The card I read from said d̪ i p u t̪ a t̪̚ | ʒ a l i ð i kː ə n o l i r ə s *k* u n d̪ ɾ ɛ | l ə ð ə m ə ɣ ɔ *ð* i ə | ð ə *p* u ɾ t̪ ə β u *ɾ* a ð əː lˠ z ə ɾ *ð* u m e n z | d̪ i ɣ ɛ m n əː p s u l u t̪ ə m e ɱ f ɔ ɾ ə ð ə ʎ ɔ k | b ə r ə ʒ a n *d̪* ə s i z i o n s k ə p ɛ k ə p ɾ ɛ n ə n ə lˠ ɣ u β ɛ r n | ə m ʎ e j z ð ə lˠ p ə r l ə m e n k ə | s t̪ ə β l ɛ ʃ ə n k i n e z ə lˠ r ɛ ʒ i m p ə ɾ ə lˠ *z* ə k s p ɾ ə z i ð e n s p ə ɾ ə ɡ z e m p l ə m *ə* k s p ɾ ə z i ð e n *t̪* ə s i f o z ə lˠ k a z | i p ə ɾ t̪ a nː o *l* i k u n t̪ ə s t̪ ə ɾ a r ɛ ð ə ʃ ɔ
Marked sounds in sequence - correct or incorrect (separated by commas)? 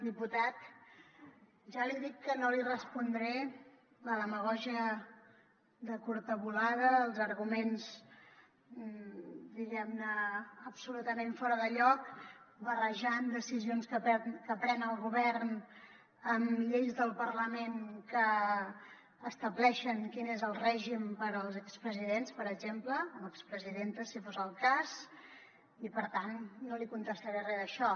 incorrect, incorrect, incorrect, incorrect, incorrect, correct, correct, correct, correct, correct